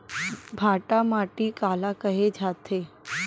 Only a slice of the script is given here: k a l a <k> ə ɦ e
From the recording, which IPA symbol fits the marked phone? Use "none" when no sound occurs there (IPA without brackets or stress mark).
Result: k